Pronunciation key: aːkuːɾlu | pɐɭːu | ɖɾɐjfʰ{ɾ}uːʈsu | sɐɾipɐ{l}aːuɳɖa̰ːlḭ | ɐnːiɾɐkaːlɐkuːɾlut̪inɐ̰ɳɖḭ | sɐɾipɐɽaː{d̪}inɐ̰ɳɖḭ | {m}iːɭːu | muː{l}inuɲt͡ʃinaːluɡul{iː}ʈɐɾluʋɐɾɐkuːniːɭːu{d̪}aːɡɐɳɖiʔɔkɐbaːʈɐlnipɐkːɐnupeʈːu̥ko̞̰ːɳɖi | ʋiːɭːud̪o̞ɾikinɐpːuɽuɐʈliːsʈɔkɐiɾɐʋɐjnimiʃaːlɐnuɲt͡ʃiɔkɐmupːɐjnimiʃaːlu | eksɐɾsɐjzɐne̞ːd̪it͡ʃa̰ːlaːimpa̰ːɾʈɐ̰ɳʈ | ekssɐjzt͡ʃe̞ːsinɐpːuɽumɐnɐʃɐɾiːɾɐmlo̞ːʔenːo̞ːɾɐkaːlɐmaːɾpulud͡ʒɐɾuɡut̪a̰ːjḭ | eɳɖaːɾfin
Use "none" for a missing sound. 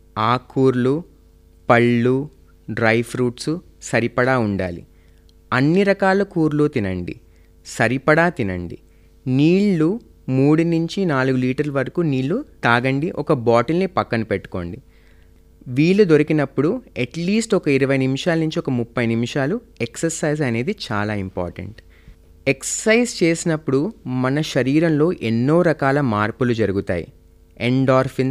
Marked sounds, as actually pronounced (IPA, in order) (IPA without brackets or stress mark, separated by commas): ɾ, ɽ, t̪, n, ɽ, iː, t̪